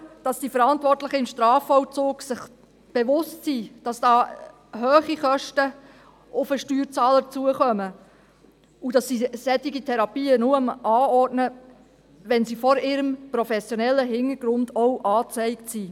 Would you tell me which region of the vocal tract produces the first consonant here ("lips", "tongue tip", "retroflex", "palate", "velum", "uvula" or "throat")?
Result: tongue tip